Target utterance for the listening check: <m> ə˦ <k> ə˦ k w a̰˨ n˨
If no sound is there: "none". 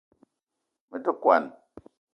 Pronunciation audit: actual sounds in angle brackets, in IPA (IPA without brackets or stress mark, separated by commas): m, t